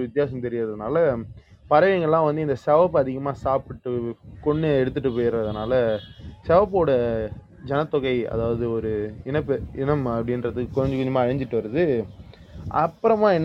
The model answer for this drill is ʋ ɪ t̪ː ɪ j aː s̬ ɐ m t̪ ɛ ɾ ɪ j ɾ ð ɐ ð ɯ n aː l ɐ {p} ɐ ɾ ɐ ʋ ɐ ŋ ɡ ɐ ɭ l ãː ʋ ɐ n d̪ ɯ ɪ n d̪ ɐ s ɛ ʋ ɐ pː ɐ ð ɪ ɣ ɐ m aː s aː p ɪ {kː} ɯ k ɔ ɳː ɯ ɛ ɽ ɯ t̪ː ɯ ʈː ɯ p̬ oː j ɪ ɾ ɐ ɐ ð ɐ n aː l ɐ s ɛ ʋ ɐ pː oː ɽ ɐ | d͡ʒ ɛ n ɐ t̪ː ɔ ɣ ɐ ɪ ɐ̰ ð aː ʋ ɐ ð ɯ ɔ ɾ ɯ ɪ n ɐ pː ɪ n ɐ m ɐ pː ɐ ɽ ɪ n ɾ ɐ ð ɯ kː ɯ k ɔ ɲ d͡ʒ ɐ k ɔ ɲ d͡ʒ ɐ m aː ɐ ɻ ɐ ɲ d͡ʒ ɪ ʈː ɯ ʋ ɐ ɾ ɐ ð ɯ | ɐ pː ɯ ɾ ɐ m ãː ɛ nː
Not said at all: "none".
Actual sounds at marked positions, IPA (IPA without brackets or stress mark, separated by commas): p, ʈː